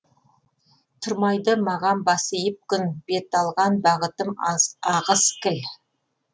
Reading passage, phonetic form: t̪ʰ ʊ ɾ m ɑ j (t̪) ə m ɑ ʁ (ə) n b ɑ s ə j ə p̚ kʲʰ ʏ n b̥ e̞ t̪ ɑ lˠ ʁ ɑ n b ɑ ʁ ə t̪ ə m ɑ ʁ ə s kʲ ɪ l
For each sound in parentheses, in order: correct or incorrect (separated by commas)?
incorrect, incorrect